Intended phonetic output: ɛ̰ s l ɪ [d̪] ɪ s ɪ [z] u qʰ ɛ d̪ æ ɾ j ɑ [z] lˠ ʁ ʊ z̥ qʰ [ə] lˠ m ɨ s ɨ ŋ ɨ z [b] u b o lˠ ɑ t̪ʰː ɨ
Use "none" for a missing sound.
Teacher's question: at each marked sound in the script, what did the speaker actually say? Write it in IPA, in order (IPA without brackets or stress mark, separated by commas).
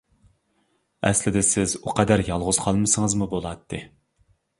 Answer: d̪, z, none, ɑ, m